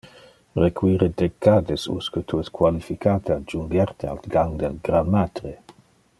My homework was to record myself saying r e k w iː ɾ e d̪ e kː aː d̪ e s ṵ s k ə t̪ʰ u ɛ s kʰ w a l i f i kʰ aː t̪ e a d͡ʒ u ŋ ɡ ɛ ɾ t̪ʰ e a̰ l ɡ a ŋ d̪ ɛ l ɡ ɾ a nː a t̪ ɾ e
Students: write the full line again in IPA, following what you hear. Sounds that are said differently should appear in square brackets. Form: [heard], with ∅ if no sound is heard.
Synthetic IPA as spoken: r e k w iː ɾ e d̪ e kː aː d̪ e s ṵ s k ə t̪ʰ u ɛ s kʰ w a l i f i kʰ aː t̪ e a d͡ʒ u ŋ ɡ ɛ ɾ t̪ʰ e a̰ l ɡ a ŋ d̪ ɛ l ɡ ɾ a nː a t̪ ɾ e